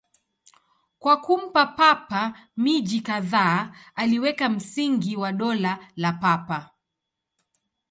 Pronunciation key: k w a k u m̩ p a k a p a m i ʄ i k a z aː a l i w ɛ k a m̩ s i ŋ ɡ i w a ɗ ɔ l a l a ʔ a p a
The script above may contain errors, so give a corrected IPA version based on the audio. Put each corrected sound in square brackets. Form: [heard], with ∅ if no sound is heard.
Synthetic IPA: k w a k u m̩ p a [p] a p a m i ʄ i k a [ð] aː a l i w ɛ k a m̩ s i ŋ ɡ i w a ɗ ɔ l a l a [p] a p a